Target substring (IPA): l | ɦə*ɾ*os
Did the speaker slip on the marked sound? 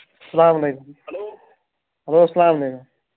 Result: yes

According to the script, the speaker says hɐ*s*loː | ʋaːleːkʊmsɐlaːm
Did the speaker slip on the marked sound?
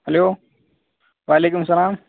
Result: yes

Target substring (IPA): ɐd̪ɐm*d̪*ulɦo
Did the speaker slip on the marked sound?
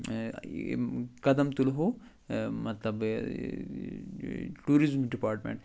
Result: yes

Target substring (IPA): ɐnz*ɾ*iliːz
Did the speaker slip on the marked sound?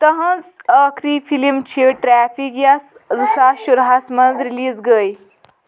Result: no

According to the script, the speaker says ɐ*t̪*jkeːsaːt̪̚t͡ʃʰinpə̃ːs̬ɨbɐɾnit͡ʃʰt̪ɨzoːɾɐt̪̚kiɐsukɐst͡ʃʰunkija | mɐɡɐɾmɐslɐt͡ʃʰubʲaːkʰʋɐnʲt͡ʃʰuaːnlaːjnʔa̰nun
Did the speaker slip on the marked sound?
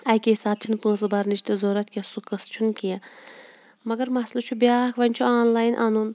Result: yes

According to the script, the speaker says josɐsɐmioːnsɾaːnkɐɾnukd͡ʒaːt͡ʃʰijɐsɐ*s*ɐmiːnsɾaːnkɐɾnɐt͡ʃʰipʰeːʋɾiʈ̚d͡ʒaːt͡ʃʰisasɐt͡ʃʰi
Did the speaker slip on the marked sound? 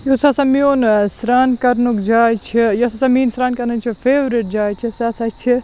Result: no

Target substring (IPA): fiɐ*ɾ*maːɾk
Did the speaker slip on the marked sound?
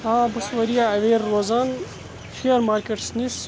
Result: no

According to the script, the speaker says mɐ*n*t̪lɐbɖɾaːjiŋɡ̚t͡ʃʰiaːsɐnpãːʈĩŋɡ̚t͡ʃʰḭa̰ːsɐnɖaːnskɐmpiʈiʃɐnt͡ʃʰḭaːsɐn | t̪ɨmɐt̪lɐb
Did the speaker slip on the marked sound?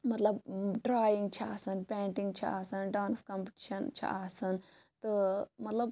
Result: yes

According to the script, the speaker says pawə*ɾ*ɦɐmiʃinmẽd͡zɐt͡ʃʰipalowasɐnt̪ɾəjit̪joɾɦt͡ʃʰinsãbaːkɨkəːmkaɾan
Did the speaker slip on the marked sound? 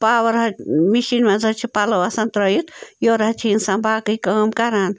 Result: no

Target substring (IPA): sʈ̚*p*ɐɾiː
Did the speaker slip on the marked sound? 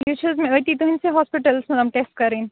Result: yes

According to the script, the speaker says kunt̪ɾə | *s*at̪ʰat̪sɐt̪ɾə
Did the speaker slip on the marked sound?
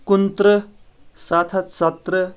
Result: no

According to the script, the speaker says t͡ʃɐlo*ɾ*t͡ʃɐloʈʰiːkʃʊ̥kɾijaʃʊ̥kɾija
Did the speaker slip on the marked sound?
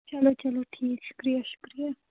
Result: yes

